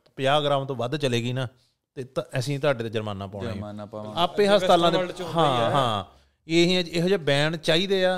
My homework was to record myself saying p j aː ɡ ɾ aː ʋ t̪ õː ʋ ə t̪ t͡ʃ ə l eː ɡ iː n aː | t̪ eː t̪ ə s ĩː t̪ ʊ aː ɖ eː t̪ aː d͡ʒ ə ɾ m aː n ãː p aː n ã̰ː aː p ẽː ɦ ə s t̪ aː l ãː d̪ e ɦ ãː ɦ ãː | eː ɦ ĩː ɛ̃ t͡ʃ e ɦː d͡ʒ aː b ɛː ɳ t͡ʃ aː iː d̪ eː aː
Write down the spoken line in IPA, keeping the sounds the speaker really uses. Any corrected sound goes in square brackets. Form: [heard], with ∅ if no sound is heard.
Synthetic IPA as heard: p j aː ɡ ɾ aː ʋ t̪ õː ʋ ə [d̪] t͡ʃ ə l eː ɡ iː n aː | t̪ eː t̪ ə s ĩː t̪ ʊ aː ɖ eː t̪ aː d͡ʒ ə ɾ m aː n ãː p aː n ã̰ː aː p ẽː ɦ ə s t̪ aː l ãː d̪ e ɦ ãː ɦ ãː | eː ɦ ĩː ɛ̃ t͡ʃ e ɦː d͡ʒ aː b ɛː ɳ t͡ʃ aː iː d̪ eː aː